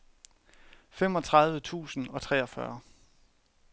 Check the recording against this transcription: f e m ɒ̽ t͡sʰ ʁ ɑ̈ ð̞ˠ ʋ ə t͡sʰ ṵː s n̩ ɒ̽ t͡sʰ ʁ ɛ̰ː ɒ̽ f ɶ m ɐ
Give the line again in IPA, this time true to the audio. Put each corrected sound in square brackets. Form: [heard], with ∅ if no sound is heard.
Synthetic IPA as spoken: f e m ɒ̽ t͡sʰ ʁ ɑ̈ ð̞ˠ ʋ ə t͡sʰ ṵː s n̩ ɒ̽ t͡sʰ ʁ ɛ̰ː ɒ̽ f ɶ [∅] ɐ